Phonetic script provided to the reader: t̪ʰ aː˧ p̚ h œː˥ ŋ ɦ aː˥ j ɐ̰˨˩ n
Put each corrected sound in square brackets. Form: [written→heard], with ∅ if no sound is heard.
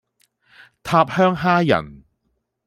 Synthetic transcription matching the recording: t̪ʰ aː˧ p̚ h œː˥ ŋ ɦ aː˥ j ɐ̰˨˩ n